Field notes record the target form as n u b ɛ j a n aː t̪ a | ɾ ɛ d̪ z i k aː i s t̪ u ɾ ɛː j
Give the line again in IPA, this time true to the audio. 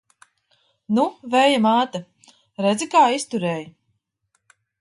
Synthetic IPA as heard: n u v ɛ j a m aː t̪ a | ɾ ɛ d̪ z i k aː i s t̪ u ɾ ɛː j